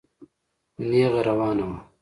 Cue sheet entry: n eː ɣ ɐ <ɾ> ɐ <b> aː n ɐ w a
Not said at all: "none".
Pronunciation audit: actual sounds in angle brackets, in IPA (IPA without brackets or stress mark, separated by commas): ɾ, w